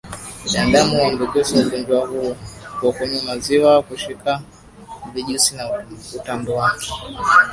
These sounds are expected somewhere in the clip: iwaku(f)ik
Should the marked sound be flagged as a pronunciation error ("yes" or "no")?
yes